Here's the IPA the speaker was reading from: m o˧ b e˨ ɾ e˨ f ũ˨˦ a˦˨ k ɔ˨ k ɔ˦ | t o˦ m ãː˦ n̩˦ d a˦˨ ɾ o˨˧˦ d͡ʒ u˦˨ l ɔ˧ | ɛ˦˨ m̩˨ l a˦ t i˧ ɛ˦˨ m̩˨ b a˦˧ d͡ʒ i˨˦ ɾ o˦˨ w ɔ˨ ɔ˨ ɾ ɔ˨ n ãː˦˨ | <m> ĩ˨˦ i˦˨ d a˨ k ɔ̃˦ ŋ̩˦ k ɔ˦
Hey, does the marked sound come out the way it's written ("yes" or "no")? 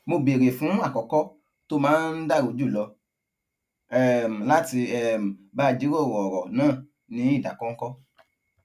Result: no